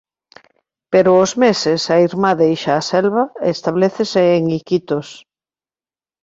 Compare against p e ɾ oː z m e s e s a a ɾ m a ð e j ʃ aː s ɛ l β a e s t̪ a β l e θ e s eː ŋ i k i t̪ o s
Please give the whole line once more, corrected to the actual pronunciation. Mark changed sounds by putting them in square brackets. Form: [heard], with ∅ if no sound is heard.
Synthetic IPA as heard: p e ɾ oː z m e s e s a [i] ɾ m a ð e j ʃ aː s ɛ l β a e s t̪ a β l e θ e s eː ŋ i k i t̪ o s